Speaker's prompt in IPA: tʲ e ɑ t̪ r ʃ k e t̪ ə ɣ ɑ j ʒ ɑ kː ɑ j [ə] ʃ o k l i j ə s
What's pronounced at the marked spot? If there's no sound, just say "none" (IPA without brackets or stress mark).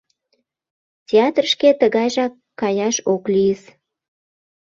ɑ